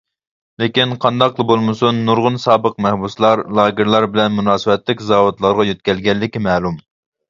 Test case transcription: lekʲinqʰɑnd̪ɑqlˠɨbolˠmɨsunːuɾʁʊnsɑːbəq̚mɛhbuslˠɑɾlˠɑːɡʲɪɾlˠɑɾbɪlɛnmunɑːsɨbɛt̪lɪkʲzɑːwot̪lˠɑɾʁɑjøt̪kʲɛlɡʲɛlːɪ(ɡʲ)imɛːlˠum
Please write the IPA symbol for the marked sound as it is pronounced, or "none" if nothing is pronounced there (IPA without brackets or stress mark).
kʲ